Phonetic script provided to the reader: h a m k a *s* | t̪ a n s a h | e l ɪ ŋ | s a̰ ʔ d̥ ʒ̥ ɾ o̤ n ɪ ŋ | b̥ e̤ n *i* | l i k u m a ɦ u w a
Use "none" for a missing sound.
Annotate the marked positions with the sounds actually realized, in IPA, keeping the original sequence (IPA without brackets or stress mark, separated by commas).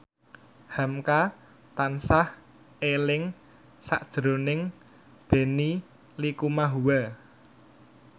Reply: none, i